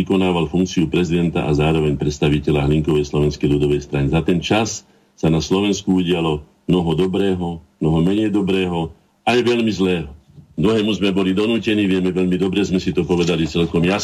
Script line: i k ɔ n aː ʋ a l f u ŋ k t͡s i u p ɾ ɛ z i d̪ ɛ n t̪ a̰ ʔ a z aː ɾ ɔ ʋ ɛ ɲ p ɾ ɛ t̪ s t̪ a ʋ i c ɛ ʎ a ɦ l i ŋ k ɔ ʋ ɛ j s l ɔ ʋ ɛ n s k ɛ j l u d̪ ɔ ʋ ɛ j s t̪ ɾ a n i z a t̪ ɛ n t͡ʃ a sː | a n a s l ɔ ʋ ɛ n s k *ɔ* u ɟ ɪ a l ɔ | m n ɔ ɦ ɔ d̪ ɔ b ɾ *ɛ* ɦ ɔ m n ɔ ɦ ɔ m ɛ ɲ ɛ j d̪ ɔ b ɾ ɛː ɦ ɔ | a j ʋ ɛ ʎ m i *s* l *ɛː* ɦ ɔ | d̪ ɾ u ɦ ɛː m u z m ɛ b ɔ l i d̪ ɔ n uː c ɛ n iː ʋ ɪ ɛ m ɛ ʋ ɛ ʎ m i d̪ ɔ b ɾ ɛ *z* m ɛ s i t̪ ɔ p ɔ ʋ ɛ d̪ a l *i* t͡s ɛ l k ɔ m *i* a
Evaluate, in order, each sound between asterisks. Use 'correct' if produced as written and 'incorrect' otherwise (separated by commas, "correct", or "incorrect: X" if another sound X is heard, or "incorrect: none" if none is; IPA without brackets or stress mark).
incorrect: u, incorrect: ɛː, incorrect: z, correct, correct, correct, incorrect: j